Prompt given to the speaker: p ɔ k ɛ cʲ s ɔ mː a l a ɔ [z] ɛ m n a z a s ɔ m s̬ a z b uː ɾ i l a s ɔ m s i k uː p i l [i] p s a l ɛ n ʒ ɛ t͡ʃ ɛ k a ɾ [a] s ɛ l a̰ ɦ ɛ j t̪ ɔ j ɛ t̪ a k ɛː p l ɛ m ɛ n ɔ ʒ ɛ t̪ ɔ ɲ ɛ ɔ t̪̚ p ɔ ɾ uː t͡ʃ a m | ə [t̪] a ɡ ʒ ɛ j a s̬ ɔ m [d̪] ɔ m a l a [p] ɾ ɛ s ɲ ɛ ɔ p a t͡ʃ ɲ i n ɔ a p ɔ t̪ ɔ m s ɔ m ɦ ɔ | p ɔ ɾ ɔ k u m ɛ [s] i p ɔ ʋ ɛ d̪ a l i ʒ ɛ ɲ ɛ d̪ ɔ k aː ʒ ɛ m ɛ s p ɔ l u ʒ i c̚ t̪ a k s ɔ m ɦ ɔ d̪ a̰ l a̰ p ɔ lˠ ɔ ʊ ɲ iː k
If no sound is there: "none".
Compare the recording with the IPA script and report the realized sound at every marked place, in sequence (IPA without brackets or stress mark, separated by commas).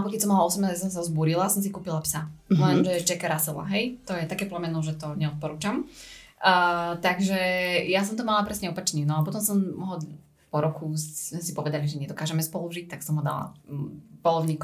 s, a, a, t̪, t̪, p, s